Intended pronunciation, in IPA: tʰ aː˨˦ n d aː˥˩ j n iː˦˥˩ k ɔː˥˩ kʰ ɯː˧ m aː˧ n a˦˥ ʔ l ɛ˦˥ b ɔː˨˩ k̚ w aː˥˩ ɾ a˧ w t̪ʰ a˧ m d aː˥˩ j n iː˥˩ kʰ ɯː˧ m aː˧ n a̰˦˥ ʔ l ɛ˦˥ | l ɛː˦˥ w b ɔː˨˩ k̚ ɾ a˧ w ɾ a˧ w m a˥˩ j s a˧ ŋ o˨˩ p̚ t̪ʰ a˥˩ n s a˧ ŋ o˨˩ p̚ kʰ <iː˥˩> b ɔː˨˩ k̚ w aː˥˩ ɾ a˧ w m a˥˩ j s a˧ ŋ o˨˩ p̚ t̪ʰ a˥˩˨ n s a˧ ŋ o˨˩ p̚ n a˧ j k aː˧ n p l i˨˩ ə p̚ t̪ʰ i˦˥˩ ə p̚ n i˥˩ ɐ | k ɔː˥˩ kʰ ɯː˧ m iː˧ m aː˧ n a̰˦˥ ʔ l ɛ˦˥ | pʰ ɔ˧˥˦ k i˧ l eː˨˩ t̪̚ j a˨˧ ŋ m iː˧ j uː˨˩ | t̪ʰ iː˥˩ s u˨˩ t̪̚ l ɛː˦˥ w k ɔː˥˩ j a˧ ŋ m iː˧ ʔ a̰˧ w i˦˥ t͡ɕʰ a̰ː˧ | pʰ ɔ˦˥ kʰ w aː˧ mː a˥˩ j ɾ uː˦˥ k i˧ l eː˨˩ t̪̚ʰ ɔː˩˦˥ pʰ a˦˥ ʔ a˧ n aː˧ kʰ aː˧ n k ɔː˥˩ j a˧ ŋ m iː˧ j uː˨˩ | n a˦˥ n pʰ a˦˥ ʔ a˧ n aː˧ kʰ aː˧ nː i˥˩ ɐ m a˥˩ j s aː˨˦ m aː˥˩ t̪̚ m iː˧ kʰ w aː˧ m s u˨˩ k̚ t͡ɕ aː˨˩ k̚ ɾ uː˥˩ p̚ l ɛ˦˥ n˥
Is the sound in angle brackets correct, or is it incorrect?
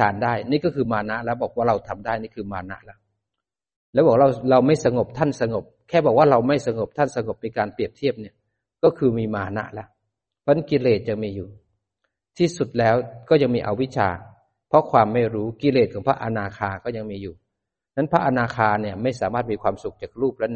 incorrect